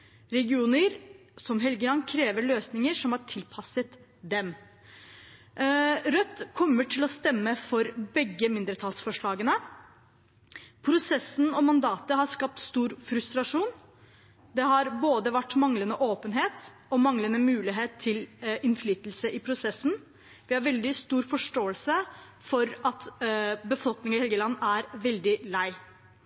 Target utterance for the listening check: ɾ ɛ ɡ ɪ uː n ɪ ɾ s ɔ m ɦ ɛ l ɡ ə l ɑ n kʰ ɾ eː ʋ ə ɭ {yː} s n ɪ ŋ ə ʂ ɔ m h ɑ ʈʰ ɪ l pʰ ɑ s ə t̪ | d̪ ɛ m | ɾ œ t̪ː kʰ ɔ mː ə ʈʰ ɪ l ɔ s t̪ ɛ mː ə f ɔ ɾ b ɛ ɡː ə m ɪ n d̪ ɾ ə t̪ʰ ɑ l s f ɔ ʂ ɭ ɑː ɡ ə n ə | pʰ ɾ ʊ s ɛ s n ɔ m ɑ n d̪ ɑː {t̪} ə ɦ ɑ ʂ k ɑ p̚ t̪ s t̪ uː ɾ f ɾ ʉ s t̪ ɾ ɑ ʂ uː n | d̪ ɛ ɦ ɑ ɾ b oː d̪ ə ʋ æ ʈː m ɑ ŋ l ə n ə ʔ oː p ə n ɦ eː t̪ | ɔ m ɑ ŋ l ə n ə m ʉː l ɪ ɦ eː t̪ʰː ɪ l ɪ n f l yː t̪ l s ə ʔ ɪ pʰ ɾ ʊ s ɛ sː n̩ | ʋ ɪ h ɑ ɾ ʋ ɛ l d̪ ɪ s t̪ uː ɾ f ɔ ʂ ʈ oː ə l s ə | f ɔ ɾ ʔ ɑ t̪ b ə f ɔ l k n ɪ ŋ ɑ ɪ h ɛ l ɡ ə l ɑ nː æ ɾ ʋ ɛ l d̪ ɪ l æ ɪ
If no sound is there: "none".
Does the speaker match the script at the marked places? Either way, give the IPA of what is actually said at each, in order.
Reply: øː, t̪

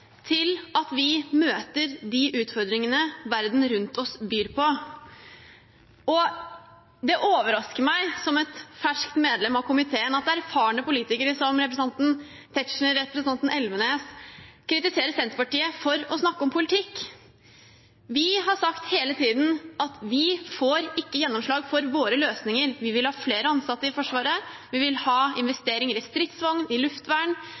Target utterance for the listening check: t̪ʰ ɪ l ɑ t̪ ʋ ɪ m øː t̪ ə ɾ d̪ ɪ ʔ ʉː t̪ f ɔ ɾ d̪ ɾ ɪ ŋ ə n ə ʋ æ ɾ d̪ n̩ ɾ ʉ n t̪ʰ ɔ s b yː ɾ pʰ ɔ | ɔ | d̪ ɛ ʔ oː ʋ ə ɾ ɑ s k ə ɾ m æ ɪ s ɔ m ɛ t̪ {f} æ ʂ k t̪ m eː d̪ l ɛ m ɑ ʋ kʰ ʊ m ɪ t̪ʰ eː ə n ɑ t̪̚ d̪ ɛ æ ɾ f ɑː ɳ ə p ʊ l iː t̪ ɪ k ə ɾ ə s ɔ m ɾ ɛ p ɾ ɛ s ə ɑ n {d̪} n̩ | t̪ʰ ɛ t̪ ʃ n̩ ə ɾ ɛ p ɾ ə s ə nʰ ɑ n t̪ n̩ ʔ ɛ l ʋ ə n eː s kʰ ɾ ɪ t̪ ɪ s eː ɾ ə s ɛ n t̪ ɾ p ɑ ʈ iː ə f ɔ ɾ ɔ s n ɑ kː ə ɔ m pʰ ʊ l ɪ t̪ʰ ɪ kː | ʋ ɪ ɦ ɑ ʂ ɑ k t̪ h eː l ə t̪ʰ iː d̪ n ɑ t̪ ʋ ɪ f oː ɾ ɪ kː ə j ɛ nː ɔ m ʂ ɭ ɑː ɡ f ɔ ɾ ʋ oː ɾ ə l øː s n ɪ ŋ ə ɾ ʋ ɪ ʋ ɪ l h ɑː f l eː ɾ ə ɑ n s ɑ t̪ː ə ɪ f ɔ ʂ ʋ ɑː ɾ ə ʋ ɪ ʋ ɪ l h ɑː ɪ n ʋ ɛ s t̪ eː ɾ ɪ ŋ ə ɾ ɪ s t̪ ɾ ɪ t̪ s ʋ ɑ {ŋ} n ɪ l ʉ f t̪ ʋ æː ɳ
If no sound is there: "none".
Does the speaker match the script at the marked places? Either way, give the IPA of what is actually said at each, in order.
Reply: f, t̪, ŋ

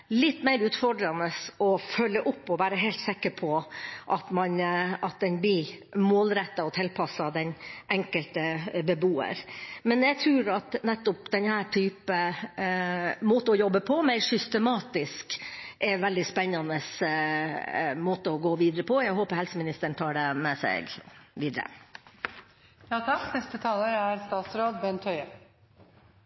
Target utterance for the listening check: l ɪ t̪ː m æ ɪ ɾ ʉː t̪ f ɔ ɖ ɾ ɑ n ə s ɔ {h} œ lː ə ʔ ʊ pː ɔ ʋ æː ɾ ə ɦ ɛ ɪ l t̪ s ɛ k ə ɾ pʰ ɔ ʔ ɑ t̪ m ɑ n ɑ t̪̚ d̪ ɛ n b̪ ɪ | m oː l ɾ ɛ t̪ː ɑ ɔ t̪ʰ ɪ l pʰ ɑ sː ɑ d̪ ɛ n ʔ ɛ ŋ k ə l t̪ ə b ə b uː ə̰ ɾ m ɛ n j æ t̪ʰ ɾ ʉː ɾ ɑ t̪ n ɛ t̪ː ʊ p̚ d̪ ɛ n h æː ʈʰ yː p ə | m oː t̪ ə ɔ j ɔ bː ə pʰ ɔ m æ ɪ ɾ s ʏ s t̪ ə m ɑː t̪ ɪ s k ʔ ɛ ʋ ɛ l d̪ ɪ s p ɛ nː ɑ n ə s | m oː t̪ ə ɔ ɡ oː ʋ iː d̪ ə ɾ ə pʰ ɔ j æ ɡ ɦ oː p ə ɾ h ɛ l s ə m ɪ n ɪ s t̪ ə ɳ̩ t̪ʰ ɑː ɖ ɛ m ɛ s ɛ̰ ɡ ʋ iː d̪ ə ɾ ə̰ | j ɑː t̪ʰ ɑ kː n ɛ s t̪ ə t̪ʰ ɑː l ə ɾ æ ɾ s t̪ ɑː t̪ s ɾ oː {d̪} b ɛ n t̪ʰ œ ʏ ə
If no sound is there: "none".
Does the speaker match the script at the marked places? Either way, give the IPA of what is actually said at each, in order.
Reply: f, d̪

